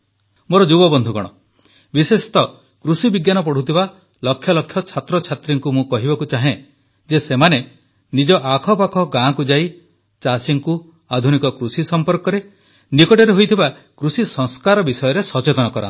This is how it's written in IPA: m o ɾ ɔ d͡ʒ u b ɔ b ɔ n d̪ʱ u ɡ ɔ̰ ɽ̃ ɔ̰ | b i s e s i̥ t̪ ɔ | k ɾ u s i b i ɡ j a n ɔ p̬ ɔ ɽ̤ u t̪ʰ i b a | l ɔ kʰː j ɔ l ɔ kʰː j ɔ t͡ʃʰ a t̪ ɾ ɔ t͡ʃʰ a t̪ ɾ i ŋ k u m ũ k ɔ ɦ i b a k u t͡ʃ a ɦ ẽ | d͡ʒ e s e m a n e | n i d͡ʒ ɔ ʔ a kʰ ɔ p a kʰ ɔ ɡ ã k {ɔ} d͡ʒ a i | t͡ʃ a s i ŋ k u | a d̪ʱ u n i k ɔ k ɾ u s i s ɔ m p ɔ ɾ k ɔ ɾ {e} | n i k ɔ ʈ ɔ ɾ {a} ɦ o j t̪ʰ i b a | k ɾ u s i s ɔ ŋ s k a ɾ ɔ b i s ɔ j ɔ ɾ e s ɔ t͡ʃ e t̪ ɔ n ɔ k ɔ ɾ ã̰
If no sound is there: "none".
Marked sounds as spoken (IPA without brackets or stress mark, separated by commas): u, e, e